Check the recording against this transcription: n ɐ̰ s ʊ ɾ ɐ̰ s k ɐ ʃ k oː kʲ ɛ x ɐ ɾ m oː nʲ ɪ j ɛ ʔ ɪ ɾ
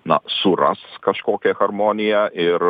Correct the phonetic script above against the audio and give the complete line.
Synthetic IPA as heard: n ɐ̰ s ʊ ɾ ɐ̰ s k ɐ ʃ k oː kʲ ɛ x ɐ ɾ m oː nʲ ɪ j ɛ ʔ ɪ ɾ